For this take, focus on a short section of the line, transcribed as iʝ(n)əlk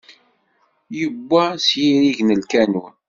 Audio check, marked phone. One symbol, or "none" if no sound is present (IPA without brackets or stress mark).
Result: n